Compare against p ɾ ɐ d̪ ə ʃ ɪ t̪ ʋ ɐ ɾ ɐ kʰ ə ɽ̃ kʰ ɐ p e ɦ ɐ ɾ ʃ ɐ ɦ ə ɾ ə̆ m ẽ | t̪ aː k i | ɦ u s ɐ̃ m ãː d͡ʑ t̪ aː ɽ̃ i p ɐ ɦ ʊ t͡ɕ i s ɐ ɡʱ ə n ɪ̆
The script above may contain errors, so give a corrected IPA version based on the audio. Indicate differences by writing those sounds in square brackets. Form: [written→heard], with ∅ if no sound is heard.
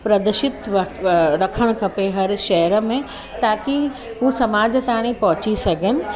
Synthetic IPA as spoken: p ɾ ɐ d̪ ə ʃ ɪ t̪ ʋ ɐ ɾ ɐ kʰ ə ɽ̃ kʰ ɐ p e ɦ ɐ ɾ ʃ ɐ ɦ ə ɾ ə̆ m ẽ | t̪ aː k i | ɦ u s [ɐ̃→ɐ] m [ãː→aː] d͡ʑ t̪ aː ɽ̃ i p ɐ ɦ ʊ t͡ɕ i s ɐ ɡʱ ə n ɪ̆